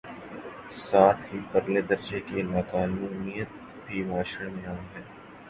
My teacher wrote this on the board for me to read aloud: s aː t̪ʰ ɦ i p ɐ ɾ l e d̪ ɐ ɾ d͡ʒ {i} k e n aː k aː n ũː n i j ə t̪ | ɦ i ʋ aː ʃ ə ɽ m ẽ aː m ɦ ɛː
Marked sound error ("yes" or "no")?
yes